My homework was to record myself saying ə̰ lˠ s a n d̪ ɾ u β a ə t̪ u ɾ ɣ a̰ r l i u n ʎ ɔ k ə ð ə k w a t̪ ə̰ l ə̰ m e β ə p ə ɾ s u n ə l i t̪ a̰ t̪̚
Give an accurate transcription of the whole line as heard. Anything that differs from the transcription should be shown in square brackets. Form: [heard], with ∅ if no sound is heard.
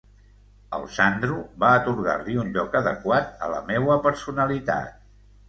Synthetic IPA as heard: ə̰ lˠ s a n d̪ ɾ u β a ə t̪ u ɾ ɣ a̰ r l i u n ʎ ɔ k ə ð ə k w a t̪ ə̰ l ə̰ m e [w] ə p ə ɾ s u n ə l i t̪ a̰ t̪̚